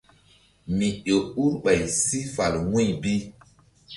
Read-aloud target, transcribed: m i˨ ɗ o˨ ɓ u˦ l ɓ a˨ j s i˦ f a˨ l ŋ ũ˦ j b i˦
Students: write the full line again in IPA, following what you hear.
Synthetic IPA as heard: m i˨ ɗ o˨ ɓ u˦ ɾ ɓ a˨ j s i˦ f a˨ l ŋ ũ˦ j b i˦

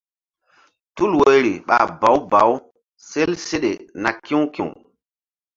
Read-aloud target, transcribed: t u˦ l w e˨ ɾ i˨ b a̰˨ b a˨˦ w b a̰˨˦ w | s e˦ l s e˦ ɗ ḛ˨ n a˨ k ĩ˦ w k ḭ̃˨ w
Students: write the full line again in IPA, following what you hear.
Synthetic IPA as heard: t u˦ l w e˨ ɾ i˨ ɓ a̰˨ b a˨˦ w b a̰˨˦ w | s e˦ l s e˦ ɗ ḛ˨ n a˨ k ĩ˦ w k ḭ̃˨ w

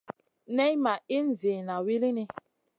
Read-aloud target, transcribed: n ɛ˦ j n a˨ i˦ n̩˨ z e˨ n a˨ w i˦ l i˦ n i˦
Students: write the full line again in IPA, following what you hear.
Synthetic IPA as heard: n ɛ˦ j m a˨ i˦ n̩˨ z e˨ n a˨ w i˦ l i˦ n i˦

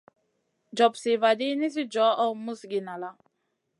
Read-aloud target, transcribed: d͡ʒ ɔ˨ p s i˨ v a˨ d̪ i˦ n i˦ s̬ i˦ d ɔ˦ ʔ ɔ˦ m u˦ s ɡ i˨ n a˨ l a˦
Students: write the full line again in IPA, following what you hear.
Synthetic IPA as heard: d͡ʒ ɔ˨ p s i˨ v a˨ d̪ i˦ n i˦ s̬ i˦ d͡ʒ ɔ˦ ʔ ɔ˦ m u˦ s ɡ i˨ n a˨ l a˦

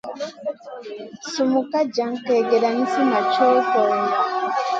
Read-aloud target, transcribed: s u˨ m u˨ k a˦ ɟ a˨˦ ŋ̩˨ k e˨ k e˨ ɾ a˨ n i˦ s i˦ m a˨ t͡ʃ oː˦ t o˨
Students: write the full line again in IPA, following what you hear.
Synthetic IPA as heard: s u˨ m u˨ k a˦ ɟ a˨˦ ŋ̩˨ k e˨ ɡ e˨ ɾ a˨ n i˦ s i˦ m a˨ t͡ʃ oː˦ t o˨

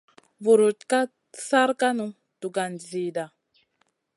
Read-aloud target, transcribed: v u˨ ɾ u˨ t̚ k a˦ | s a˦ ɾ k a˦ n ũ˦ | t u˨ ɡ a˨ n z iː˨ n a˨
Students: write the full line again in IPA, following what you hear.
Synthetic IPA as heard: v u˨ ɾ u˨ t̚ k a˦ | s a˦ ɾ k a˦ n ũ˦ | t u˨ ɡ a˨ n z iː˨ d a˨

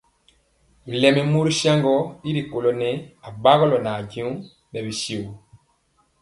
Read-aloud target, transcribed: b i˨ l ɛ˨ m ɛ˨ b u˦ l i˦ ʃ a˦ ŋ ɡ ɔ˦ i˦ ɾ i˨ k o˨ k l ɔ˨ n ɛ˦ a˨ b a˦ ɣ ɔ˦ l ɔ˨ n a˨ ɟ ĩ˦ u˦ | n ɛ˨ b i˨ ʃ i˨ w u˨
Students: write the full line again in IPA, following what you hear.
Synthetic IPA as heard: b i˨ l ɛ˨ m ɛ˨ m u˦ ɾ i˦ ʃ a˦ ŋ ɡ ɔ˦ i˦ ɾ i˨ k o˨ l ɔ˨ n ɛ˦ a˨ b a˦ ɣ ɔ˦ l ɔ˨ n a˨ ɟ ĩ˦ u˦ | n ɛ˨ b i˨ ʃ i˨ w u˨

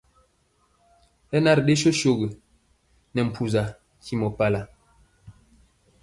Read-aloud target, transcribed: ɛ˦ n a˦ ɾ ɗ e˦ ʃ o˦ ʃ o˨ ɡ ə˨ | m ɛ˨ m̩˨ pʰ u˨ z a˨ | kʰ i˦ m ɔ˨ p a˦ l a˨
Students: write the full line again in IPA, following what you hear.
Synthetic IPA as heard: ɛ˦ n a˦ ɾ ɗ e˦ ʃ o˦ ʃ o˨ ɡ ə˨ | n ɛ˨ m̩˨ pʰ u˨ z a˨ | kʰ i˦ m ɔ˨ p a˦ l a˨

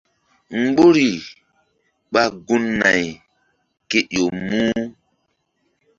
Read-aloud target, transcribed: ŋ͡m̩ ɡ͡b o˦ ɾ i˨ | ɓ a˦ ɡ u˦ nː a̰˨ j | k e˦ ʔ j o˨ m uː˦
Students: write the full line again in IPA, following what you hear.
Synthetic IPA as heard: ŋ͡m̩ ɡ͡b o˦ ɾ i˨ | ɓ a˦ ɡ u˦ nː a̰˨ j | k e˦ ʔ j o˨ m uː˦

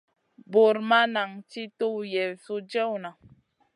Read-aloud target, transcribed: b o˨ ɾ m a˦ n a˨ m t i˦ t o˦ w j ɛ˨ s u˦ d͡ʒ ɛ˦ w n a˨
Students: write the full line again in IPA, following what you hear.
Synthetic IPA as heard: b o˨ ɾ m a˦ n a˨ ŋ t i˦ t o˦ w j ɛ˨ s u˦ d͡ʒ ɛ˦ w n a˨

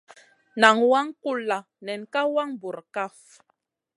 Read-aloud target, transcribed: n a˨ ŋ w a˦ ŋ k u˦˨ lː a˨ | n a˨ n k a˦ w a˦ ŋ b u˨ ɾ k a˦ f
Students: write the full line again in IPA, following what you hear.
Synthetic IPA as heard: n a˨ ŋ w a˦ ŋ k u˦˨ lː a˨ | n ɛ˨ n k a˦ w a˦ ŋ b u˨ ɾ k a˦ f

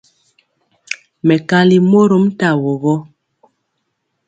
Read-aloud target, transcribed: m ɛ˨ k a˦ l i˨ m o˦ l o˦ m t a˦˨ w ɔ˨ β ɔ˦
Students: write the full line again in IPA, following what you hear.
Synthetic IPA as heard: m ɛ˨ k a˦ l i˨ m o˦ ɾ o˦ m t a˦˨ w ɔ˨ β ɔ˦

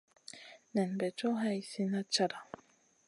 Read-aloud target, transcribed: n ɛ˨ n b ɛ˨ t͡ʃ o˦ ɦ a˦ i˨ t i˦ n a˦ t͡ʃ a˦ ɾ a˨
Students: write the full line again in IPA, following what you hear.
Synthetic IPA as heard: n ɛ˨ n b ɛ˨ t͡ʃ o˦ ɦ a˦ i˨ s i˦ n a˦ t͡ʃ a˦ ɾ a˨

